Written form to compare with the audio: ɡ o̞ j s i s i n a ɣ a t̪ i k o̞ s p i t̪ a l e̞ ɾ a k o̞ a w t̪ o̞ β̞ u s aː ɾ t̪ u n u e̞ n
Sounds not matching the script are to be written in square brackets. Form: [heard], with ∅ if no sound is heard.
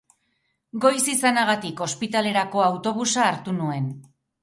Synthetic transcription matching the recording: ɡ o̞ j s i s [a] n a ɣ a t̪ i k o̞ s p i t̪ a l e̞ ɾ a k o̞ a w t̪ o̞ β̞ u s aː ɾ t̪ u n u e̞ n